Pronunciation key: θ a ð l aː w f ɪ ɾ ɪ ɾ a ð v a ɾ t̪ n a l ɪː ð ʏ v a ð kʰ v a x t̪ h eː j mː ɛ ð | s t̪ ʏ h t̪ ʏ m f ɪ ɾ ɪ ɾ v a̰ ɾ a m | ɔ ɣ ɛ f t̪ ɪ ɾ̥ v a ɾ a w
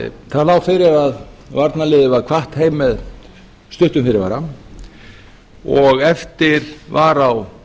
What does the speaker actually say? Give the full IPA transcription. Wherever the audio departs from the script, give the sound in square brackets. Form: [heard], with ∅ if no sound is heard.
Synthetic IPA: θ a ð l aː w f ɪ ɾ ɪ ɾ a ð v a ɾ t̪ n a l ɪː ð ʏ v a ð kʰ v a [h] t̪ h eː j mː ɛ ð | s t̪ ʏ h t̪ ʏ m f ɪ ɾ ɪ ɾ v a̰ ɾ a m | ɔ ɣ ɛ f t̪ ɪ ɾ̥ v a ɾ a w